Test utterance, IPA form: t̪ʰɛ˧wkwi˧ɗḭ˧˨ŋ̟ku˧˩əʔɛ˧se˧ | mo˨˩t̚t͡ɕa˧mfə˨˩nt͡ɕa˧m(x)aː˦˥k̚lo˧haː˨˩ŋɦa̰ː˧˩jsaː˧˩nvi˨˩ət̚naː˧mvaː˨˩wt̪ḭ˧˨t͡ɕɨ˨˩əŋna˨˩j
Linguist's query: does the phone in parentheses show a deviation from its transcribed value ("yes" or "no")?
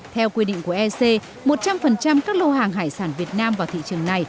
yes